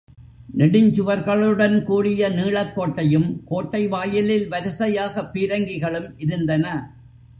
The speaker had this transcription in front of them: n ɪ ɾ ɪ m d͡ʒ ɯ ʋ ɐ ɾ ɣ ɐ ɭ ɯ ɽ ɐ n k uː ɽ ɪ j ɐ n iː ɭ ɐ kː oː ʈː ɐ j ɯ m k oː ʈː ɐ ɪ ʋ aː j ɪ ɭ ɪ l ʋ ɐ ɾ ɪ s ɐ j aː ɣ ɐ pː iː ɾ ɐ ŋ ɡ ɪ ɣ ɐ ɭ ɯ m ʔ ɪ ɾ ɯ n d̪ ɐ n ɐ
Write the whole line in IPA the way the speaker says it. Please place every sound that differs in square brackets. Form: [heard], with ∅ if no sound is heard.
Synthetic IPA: n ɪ [ɽ] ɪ [ɲ] d͡ʒ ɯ ʋ ɐ ɾ ɣ ɐ ɭ ɯ ɽ ɐ n k uː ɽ ɪ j ɐ n iː ɭ ɐ kː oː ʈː ɐ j ɯ m k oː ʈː ɐ ɪ ʋ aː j ɪ [l] ɪ l ʋ ɐ ɾ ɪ s ɐ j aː ɣ ɐ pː iː ɾ ɐ ŋ ɡ ɪ ɣ ɐ ɭ ɯ m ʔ ɪ ɾ ɯ n d̪ ɐ n ɐ